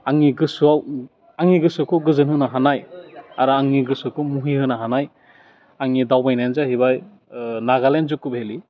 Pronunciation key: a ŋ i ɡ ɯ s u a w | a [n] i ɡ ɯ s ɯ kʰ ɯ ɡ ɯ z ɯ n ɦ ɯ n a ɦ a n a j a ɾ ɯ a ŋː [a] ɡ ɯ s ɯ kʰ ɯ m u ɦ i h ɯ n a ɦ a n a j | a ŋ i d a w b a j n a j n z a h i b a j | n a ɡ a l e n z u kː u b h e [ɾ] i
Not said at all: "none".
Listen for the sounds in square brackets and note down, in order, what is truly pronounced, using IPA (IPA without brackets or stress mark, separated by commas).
ŋ, i, l